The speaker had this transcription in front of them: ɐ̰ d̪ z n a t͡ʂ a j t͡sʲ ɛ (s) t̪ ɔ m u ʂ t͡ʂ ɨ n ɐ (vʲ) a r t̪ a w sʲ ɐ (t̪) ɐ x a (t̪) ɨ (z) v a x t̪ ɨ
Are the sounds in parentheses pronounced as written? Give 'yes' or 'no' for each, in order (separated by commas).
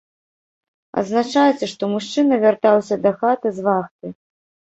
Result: no, yes, no, yes, yes